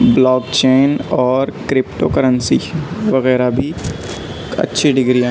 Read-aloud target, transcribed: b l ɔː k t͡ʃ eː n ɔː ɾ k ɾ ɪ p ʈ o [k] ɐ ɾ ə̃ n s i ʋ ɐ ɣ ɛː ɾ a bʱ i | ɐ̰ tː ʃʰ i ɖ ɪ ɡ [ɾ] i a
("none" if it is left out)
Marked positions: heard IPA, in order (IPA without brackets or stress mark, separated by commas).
k, ɾ